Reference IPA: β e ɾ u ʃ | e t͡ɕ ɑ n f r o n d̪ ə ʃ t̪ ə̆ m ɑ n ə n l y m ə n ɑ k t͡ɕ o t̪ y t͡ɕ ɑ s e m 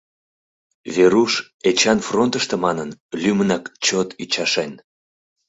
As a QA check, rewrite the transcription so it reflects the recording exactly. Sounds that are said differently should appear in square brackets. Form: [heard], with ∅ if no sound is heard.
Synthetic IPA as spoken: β e ɾ u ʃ | e t͡ɕ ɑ n f r o n [t̪] ə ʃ t̪ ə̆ m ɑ n ə n l y m ə n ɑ k t͡ɕ o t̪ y t͡ɕ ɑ [ʃ] e [n]